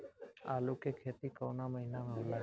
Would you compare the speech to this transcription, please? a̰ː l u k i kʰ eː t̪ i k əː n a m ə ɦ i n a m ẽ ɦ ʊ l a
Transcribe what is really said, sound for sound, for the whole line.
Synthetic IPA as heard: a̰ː l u k e kʰ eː t̪ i k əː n a m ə ɦ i n a m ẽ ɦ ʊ l a